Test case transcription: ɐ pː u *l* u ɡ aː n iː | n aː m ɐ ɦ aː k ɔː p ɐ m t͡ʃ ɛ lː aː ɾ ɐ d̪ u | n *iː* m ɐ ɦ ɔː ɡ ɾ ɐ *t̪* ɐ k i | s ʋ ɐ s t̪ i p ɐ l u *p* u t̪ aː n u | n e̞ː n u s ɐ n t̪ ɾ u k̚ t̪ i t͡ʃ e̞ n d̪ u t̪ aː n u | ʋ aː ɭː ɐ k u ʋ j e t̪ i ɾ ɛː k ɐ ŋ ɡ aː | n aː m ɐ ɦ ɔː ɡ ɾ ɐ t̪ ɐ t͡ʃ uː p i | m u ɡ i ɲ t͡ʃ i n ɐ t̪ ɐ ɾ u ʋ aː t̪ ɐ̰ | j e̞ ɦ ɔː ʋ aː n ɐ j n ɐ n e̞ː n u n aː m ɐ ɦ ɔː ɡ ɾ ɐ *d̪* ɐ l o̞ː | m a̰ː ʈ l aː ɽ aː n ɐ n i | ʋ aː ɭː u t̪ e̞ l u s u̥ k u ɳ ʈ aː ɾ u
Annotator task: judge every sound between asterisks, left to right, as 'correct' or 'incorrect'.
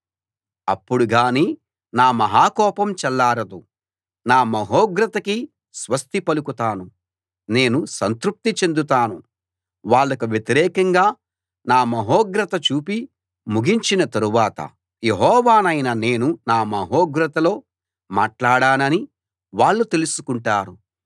incorrect, incorrect, correct, incorrect, incorrect

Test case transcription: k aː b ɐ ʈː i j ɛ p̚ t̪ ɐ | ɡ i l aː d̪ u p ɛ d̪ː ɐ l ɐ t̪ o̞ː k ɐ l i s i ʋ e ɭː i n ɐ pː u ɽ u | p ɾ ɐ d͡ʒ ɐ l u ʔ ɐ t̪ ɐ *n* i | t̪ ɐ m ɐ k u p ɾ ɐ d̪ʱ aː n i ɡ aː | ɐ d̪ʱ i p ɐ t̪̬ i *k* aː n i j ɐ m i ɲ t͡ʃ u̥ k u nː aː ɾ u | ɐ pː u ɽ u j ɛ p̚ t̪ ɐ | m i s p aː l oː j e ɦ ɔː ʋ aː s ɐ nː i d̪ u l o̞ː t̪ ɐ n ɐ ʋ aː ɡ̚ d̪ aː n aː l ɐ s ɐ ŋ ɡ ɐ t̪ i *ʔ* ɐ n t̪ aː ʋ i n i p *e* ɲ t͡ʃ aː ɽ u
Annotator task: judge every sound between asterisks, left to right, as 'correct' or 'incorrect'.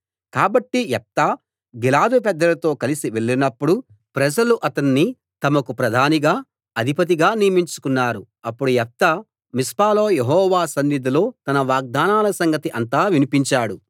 incorrect, incorrect, correct, incorrect

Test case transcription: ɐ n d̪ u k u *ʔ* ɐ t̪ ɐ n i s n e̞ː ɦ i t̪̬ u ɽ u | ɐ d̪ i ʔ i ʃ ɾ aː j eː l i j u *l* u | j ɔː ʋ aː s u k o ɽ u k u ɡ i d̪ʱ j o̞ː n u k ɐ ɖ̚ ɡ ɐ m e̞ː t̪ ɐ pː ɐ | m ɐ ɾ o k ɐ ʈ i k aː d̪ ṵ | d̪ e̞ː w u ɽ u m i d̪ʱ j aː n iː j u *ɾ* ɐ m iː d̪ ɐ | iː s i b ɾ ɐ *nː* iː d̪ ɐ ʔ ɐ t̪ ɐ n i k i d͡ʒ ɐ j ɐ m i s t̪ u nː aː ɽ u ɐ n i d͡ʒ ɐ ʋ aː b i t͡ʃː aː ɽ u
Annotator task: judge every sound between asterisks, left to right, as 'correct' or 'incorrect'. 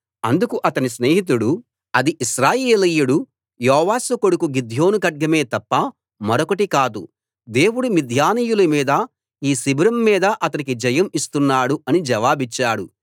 correct, incorrect, incorrect, incorrect

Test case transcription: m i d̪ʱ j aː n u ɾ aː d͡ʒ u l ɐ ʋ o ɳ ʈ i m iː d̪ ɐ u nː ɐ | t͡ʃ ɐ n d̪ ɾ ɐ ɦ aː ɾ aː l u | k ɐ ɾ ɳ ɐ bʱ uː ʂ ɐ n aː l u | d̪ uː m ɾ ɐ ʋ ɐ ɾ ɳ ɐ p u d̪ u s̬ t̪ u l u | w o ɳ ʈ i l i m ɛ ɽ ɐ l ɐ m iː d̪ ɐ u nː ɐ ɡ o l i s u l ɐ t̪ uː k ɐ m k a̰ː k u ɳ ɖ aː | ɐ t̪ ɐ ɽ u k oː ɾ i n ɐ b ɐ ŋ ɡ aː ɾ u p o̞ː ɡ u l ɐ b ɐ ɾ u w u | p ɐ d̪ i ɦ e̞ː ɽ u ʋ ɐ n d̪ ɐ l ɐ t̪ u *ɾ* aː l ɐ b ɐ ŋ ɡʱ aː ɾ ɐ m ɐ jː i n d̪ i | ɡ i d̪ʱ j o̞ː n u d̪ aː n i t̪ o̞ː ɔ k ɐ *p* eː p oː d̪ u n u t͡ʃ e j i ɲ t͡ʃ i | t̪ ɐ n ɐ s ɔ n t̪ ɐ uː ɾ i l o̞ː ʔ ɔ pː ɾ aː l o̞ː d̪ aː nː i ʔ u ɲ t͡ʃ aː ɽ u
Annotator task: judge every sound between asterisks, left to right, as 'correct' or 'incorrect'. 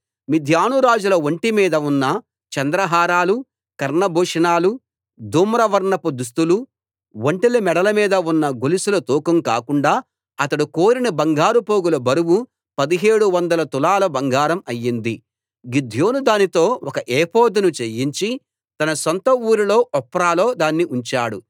incorrect, incorrect

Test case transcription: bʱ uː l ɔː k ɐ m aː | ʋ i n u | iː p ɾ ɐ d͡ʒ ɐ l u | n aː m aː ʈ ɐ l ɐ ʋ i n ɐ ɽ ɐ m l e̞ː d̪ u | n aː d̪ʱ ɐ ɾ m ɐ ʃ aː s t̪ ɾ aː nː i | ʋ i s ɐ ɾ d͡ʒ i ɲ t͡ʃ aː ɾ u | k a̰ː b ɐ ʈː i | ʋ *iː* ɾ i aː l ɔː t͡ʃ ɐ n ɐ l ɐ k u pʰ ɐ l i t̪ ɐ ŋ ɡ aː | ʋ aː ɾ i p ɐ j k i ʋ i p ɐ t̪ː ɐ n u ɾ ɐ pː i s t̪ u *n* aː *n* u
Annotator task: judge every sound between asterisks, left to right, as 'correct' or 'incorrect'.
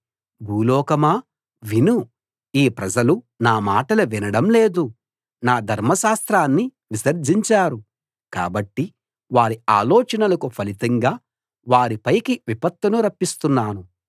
incorrect, incorrect, correct

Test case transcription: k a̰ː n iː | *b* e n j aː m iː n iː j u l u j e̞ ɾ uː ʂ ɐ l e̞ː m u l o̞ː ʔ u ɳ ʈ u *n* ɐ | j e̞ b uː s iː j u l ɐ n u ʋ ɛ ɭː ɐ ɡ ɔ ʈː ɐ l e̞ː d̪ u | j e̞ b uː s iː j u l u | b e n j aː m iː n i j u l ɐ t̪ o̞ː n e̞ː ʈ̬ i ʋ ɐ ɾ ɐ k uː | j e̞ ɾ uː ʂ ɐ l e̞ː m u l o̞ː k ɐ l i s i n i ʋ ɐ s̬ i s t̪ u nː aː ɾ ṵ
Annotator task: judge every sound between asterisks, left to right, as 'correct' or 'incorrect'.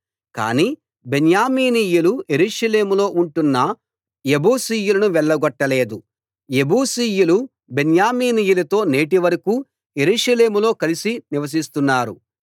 correct, incorrect

